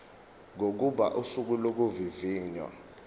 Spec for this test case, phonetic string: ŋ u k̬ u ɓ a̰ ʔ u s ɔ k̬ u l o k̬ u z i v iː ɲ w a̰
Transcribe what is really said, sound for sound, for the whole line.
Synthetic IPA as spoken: ŋ o k̬ u ɓ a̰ ʔ u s u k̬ u l o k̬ u v i v iː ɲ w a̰